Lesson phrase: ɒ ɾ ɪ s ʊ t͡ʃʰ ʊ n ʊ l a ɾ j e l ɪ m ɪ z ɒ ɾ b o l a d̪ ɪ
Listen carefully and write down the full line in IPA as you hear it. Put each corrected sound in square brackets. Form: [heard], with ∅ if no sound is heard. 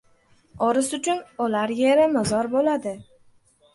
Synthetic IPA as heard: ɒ ɾ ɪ s ʊ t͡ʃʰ ʊ n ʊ l a ɾ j e [ɾ] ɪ m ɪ z ɒ ɾ b o l a d̪ ɪ